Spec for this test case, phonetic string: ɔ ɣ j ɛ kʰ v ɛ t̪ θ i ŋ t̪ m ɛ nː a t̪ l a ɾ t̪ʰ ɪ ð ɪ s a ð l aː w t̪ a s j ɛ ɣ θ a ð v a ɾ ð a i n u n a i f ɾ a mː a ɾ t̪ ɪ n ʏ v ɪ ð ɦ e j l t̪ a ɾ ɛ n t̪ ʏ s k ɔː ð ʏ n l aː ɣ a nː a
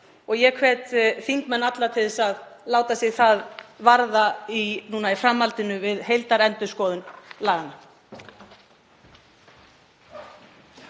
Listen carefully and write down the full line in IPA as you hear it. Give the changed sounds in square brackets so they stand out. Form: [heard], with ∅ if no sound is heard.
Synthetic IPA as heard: ɔ ɣ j ɛ kʰ v ɛ t̪ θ i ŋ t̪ m ɛ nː a t̪ l a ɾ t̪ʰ ɪ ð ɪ s a ð l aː w t̪ a s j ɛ ɣ θ a ð v a ɾ ð a i n [uː] n a i f ɾ a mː a [l] t̪ ɪ n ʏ v ɪ ð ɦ e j l t̪ a ɾ ɛ n t̪ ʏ s k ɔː ð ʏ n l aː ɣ a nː a

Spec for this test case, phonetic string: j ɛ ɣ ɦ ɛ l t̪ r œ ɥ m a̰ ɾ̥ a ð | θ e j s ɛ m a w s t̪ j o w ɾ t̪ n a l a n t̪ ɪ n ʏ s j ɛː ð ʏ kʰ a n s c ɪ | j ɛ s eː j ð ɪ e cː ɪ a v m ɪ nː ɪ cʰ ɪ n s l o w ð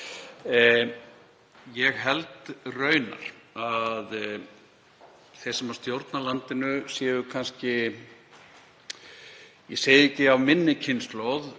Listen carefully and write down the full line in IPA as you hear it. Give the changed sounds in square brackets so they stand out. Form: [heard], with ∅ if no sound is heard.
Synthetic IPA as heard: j ɛ ɣ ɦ ɛ l t̪ r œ ɥ [n] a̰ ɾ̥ a ð | θ e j s ɛ m a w s t̪ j o w ɾ t̪ n a l a n t̪ ɪ n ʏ s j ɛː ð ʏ kʰ a n s c ɪ | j ɛ s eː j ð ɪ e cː ɪ a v m ɪ nː ɪ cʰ ɪ n s l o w ð

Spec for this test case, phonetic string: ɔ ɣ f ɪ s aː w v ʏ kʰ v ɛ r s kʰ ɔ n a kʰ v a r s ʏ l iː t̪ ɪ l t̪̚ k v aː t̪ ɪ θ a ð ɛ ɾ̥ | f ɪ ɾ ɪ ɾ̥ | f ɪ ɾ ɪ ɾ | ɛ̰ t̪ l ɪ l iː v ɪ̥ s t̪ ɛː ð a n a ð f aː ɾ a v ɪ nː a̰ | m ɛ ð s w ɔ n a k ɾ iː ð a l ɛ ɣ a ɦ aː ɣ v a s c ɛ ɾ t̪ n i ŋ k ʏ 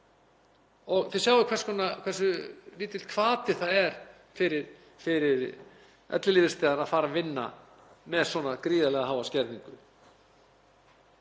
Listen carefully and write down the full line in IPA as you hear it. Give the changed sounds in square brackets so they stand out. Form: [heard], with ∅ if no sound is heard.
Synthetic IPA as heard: ɔ ɣ [θ] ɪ s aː w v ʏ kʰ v ɛ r s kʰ ɔ n a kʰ v [ɛ] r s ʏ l iː t̪ ɪ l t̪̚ [kʰ] v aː t̪ ɪ θ a ð ɛ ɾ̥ | f ɪ ɾ ɪ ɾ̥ | f ɪ ɾ ɪ ɾ | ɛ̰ t̪ l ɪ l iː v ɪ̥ s t̪ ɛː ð a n a ð f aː ɾ a v ɪ nː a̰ | m ɛ ð s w ɔ n a k ɾ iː ð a l ɛ ɣ a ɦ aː [w] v a s c ɛ ɾ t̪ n i ŋ k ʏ

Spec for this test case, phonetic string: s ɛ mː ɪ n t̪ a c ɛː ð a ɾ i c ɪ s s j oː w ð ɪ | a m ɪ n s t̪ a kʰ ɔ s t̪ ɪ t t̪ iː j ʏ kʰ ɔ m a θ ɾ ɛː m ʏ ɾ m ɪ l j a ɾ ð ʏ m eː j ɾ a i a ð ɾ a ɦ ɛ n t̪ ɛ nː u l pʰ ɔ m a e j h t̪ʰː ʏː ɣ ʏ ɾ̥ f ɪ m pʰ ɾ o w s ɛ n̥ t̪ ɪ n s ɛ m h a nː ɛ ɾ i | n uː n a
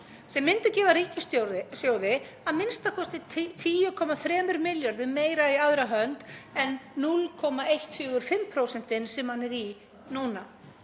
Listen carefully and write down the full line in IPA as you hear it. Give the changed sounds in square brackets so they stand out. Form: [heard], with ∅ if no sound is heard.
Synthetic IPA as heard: s ɛ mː ɪ n t̪ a c ɛː [v] a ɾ [iː] c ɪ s s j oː w ð ɪ | a m ɪ n s t̪ a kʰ ɔ s t̪ ɪ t [t̪ʰ] iː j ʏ kʰ ɔ m a θ ɾ ɛː m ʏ ɾ m ɪ l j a ɾ ð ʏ m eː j ɾ a i a ð ɾ a ɦ [œ] n t̪ ɛ nː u l [kʰ] ɔ m a e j h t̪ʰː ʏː ɣ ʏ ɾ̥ f ɪ m pʰ ɾ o w s ɛ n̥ t̪ ɪ n s ɛ m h a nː ɛ ɾ i | n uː n a

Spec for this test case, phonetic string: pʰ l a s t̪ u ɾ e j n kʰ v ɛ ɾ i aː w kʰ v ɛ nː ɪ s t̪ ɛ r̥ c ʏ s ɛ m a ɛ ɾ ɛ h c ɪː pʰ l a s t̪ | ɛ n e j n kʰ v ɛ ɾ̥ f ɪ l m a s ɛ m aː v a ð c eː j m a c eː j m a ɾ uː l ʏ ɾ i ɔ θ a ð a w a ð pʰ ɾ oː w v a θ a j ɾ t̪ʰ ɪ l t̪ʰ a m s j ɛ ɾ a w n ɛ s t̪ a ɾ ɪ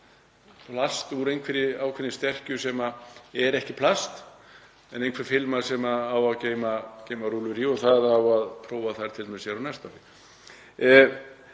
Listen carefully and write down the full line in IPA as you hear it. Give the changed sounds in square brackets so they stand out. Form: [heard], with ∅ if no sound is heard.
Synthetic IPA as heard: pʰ l a s t̪ u ɾ e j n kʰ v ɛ ɾ [ɪ] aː w kʰ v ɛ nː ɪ s t̪ ɛ r̥ c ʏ s ɛ m a ɛ ɾ ɛ h c [ɪ] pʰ l a s t̪ | ɛ n e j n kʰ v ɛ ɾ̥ f ɪ l m a s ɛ m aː [w] a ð c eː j m a c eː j m a ɾ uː l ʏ ɾ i ɔ θ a ð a w a ð pʰ ɾ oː w v a θ a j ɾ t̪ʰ ɪ l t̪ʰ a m s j ɛ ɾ a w n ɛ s t̪ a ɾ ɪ

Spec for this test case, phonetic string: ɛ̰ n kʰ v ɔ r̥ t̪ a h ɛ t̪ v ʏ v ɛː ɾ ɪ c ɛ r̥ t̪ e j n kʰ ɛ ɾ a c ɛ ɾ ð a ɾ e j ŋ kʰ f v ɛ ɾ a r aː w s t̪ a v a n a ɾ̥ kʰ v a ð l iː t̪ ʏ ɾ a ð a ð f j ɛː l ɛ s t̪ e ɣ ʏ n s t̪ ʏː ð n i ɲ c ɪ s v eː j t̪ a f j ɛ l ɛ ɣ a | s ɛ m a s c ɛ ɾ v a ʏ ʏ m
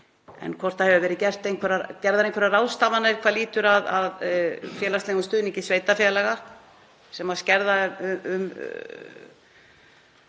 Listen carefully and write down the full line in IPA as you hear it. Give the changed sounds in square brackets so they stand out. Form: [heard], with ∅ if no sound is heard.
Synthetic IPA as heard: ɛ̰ n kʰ v ɔ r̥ t̪ a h ɛ [∅] v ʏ v ɛː ɾ ɪ c ɛ r̥ t̪ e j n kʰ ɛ ɾ a c ɛ ɾ ð a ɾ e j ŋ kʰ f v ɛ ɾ a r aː w s t̪ a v a n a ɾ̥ kʰ v a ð l iː t̪ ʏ ɾ a ð a ð f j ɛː l [a] s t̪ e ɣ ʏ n s t̪ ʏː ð n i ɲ c ɪ s v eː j t̪ a f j ɛ l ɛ ɣ a | s ɛ m a s c ɛ ɾ [ð] a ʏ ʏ m

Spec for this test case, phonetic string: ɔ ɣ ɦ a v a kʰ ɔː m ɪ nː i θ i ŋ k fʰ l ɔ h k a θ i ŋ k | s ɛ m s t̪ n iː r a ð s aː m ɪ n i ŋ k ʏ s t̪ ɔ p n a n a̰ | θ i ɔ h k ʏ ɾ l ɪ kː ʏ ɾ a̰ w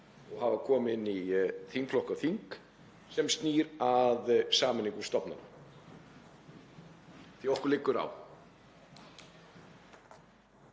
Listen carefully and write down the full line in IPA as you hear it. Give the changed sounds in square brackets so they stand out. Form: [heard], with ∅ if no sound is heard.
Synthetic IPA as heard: ɔ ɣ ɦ a v a kʰ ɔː m ɪ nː i θ i ŋ k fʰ l ɔ h k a θ i ŋ k | s ɛ m s t̪ n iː [ɾ] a ð s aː m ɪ n i ŋ k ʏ s t̪ ɔ p n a n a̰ | θ i ɔ h k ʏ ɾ l ɪ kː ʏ ɾ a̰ w

